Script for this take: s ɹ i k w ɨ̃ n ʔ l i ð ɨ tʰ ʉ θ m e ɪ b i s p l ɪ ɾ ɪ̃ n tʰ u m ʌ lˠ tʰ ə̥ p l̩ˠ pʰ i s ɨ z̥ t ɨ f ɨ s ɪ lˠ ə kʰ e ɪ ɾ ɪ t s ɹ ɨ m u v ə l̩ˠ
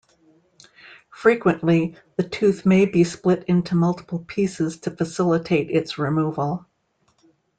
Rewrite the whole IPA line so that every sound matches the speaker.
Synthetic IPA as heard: f ɹ i k w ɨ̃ n ʔ l i ð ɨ tʰ ʉ θ m e ɪ b i s p l ɪ ɾ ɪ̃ n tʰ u m ʌ lˠ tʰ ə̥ p l̩ˠ pʰ i s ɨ z̥ tʰ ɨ f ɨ s ɪ lˠ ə tʰ e ɪ ɾ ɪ t s ɹ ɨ m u v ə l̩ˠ